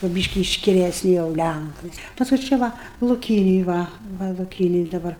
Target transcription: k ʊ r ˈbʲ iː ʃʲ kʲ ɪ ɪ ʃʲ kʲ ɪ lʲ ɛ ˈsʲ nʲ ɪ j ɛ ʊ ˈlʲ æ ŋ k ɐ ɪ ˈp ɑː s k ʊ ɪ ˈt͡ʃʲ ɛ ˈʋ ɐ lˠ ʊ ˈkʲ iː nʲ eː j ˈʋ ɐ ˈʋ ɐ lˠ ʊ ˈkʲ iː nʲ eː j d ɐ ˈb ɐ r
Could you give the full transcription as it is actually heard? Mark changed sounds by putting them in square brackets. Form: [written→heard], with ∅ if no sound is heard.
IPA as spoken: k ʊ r ˈbʲ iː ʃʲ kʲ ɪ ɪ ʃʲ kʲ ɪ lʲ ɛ ˈsʲ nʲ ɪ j ɛ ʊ ˈlʲ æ ŋ k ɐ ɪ ˈp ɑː s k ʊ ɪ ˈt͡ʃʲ ɛ ˈʋ ɐ lˠ ʊ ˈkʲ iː nʲ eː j ˈʋ ɐ ˈʋ ɐ lˠ ʊ ˈkʲ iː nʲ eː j d ɐ ˈb ɐ r